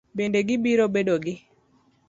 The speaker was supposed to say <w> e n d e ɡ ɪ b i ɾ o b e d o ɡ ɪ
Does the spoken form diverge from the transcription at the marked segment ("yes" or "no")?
yes